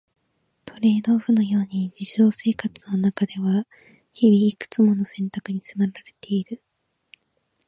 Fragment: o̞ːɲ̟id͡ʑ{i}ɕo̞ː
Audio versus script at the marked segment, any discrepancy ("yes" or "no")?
no